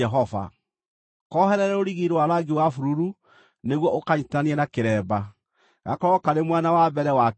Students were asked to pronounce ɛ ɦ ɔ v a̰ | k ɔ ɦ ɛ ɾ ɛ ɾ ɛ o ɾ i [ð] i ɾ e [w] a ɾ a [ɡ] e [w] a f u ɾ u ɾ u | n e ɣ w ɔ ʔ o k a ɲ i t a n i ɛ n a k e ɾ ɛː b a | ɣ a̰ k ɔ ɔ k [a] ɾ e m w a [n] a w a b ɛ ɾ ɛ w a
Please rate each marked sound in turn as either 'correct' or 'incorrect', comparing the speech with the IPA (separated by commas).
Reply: incorrect, correct, correct, correct, correct, correct